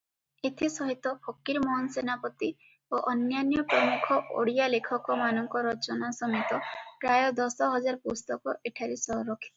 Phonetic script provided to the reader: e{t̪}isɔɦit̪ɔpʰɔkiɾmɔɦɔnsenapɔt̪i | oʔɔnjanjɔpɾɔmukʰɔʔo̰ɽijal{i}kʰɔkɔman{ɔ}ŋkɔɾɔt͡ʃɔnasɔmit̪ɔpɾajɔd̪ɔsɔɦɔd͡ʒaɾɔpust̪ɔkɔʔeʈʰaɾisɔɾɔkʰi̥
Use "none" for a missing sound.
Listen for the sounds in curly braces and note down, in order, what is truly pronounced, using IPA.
t̪ʰ, e, ɔ

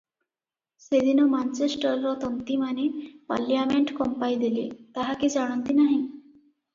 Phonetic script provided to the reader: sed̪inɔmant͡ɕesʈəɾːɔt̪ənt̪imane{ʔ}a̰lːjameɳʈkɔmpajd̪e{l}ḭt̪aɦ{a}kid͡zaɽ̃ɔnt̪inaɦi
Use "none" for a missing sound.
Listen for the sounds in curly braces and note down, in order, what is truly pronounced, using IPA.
p, l, a

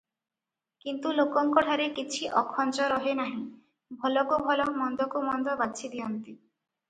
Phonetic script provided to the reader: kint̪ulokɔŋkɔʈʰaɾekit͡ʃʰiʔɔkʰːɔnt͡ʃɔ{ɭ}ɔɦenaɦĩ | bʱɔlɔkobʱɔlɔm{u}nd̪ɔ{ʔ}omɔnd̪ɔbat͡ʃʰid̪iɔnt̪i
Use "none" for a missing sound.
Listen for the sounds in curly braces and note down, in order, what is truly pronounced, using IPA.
ɾ, ɔ, k

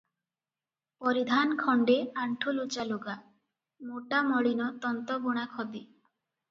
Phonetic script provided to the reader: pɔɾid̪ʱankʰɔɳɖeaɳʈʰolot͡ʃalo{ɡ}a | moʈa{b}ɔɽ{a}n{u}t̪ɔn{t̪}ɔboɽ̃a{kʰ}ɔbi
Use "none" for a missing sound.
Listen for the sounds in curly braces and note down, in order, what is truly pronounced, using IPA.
ɡ, m, i, ɔ, t̪, kʰ

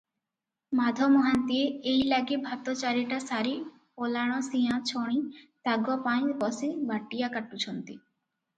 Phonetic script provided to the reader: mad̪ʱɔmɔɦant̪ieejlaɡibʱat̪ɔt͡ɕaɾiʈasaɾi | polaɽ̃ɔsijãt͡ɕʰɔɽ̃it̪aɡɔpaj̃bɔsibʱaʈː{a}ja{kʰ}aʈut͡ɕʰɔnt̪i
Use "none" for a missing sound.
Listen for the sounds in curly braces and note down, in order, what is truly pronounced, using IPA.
i, k

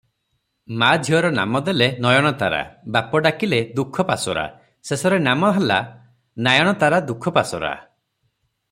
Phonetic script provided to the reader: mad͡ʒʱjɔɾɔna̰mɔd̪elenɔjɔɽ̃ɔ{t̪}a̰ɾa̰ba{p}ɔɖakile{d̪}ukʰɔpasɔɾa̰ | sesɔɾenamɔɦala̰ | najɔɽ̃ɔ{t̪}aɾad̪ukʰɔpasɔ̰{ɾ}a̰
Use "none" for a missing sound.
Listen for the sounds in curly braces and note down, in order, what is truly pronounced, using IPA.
t̪, p, d̪, t̪, ɾ

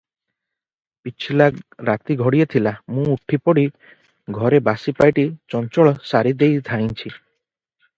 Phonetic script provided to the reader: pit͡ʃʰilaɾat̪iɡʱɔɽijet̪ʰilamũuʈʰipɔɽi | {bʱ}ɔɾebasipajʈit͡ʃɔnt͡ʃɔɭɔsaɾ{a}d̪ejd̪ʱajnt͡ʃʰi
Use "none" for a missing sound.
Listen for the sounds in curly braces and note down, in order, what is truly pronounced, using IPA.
ɡʱ, i

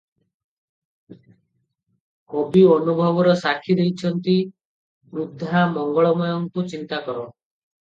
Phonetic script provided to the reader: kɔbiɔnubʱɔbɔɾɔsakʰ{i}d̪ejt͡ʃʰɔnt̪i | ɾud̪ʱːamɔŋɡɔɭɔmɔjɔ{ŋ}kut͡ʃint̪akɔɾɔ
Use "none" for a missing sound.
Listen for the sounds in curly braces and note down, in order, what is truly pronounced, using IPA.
i, ŋ

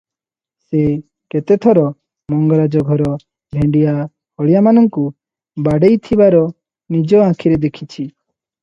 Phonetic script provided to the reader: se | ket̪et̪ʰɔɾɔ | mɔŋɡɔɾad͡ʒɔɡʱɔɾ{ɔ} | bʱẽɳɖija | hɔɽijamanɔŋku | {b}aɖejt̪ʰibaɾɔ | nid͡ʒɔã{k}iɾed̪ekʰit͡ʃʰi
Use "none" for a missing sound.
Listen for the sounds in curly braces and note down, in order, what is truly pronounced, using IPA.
ɔ, b, kʰ

